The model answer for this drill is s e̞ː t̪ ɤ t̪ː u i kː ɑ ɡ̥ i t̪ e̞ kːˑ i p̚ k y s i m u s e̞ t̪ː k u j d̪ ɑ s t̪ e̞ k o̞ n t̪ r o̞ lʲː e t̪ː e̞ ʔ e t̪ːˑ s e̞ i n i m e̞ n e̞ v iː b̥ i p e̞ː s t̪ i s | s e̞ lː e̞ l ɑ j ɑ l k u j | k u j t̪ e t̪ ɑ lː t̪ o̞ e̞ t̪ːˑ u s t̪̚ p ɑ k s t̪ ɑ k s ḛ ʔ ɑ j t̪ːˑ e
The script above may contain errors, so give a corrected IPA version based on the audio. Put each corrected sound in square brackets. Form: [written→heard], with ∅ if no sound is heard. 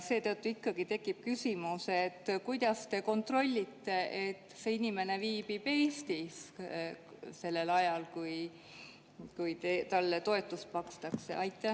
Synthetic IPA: s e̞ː t̪ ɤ t̪ː u i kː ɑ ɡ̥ i t̪ e̞ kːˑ i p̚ k y s i m u s e̞ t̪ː k u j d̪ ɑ s t̪ e̞ k o̞ n t̪ r o̞ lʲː [e→i] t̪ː e̞ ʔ e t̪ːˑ s e̞ i n i m e̞ n e̞ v iː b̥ i p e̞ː s t̪ i s | s e̞ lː e̞ l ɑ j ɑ l k u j | k u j t̪ e t̪ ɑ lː t̪ o̞ e̞ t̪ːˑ u s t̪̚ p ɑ k s t̪ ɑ k s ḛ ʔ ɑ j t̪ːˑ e